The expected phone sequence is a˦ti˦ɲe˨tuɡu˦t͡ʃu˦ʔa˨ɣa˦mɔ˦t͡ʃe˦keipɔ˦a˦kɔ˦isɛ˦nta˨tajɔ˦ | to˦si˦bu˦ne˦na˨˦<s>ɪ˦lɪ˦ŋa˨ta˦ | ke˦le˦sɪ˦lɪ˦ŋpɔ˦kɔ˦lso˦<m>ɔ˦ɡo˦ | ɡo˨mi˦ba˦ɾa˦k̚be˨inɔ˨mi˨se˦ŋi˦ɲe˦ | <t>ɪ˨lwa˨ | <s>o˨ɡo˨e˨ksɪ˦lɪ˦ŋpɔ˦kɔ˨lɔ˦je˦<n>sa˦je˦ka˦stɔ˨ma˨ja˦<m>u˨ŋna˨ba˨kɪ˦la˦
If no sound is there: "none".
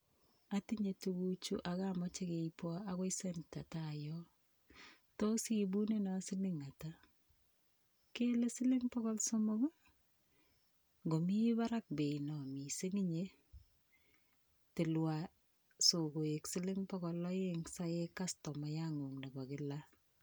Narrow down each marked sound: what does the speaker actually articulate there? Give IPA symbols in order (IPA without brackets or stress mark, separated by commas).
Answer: s, m, t, s, ŋ, ŋ